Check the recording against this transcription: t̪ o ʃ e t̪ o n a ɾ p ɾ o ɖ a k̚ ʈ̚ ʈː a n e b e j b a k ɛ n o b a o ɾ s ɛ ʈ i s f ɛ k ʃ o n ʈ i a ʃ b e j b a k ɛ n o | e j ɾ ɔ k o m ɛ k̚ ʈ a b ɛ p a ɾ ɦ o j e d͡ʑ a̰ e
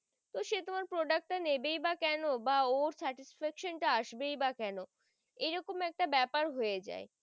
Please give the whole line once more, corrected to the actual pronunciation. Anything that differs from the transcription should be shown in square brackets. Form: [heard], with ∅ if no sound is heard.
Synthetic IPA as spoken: t̪ o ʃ e t̪ o [m] a ɾ p ɾ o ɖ a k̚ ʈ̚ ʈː a n e b e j b a k ɛ n o b a o ɾ s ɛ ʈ i s f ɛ k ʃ o n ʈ [a] a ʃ b e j b a k ɛ n o | e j ɾ ɔ k o m ɛ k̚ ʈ a b ɛ p a ɾ ɦ o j e d͡ʑ a̰ e

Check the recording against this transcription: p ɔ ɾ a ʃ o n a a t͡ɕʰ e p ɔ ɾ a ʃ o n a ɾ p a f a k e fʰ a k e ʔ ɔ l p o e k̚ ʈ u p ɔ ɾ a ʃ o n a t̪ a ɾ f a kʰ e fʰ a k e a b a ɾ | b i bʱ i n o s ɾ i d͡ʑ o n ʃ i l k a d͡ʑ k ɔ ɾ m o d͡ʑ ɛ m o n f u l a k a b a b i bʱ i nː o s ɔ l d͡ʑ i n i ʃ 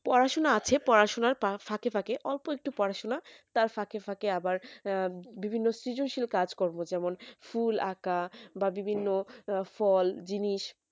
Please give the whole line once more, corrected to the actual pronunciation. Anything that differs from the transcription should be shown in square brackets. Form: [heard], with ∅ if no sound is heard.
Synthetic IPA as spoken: p ɔ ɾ a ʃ o n a a t͡ɕʰ e p ɔ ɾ a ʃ o n a ɾ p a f a k e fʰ a k e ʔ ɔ l p o e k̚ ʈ u p ɔ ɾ a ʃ o n a t̪ a ɾ f a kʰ e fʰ a k e a b a ɾ | b i bʱ i [nː] o s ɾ i d͡ʑ o n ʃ i l k a d͡ʑ k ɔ ɾ m o d͡ʑ ɛ m o n f u l a k a b a b i bʱ i nː o [f] ɔ l d͡ʑ i n i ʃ

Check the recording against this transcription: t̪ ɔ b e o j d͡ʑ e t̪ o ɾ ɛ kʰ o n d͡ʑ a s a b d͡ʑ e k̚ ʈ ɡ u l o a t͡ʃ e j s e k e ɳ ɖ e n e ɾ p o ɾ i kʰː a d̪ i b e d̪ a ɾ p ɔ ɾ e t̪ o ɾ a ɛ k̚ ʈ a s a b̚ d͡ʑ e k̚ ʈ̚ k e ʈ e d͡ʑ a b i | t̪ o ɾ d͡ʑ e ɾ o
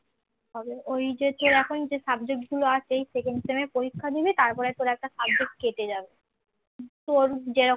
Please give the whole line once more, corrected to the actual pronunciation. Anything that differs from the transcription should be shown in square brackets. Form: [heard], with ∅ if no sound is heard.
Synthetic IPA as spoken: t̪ ɔ b e o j d͡ʑ e t̪ o ɾ ɛ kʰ o n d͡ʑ [e] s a b d͡ʑ e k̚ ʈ ɡ u l o a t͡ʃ e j s e k e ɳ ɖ e [m] e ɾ p o ɾ i kʰː a d̪ i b e [t̪] a ɾ p ɔ ɾ e t̪ o ɾ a ɛ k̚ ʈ a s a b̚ d͡ʑ e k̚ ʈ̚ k e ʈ e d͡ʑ a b [e] | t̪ o ɾ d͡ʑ e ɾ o

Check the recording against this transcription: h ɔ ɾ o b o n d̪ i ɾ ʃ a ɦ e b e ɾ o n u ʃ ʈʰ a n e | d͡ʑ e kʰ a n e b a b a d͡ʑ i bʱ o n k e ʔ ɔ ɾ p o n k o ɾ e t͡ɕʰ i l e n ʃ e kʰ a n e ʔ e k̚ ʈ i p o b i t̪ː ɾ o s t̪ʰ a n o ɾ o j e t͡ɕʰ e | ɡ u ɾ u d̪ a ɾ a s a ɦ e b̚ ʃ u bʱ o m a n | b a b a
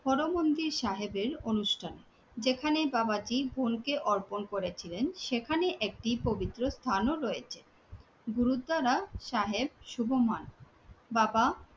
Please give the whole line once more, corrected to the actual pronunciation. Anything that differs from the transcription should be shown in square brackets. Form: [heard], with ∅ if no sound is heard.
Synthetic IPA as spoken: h ɔ ɾ o [m] o n d̪ i ɾ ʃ a ɦ e b e ɾ o n u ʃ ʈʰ a n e | d͡ʑ e kʰ a n e b a b a d͡ʑ i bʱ o n k e ʔ ɔ ɾ p o n k o ɾ e t͡ɕʰ i l e n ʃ e kʰ a n e ʔ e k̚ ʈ i p o b i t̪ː ɾ o s t̪ʰ a n o ɾ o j e t͡ɕʰ e | ɡ u ɾ u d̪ a ɾ a [ʃ] a ɦ e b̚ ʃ u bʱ o m a n | b a b a

